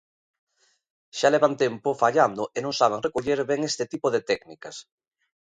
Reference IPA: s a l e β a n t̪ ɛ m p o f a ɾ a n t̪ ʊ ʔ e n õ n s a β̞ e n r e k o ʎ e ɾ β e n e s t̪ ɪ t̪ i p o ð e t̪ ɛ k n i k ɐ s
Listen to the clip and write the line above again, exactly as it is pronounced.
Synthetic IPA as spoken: ʃ a l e β a n t̪ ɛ m p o f a ʎ a n d̪ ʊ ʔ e n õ ŋ s a β̞ e ŋ r e k o ʎ e ɾ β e ŋ e s t̪ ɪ t̪ i p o ð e t̪ ɛ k n i k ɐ s